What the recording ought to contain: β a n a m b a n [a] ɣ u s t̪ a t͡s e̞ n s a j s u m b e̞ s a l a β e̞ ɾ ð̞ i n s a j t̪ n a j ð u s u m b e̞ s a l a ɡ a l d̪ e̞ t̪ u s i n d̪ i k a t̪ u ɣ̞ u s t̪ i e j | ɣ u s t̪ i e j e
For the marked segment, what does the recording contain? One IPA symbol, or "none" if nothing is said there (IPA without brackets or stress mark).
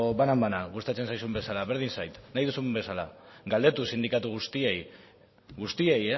a